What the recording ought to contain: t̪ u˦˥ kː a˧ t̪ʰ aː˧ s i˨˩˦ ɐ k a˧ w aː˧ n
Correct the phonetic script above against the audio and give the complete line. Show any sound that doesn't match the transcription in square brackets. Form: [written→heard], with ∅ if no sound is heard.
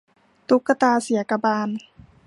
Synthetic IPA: t̪ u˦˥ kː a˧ [t̪ʰ→t̪] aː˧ s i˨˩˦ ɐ k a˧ [w→b] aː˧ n